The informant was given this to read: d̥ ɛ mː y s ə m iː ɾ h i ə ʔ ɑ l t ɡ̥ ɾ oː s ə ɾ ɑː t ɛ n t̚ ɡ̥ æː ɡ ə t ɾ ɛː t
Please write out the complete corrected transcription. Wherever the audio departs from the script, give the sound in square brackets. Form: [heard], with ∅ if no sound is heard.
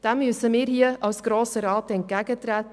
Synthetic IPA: d̥ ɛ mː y s ə m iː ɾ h i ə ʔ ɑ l [s] ɡ̥ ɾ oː s ə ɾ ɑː t ɛ n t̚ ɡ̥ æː ɡ ə t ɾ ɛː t